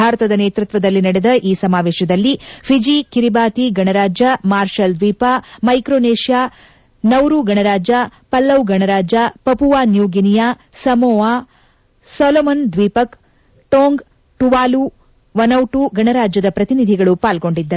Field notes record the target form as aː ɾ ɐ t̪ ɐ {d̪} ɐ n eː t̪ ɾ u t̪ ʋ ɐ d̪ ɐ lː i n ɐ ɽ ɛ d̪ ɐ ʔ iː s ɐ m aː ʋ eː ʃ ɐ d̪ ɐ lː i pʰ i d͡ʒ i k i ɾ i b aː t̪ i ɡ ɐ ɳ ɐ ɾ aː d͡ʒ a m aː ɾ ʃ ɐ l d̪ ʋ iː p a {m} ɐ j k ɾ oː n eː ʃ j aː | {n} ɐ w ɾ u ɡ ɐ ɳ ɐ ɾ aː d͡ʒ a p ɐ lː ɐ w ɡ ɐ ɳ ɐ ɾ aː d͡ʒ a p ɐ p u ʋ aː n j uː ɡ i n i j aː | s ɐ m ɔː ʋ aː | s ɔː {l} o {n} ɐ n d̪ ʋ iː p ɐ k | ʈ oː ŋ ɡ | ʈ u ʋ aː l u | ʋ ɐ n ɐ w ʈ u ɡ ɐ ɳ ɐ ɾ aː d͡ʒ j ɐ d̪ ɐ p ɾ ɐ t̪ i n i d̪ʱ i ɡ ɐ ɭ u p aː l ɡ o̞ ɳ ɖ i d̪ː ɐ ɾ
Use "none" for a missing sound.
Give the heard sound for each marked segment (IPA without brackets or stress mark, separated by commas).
d̪, m, n, l, m